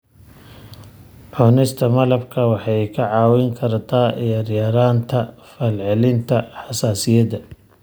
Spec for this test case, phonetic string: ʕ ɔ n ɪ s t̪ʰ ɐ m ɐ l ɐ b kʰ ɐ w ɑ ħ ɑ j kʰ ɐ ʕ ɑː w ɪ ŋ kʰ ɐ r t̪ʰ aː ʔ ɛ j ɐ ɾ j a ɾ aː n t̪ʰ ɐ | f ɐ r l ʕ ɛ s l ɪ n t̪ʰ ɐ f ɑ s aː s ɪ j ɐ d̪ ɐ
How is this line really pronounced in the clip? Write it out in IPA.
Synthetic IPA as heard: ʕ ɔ n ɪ s t̪ʰ ɐ m ɐ l ɐ b kʰ ɐ w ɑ ħ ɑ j kʰ ɐ ʕ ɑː w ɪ ŋ kʰ ɐ r t̪ʰ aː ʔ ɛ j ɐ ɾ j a ɾ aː n t̪ʰ ɐ | f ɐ l ʕ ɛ l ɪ n t̪ʰ ɐ ħ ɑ s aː s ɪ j ɐ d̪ ɐ